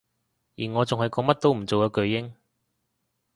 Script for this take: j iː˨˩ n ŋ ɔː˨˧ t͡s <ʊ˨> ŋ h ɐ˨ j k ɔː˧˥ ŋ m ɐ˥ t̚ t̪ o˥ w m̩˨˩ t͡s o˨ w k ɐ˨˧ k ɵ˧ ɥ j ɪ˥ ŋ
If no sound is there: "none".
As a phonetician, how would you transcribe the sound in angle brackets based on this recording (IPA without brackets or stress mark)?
ʊ˨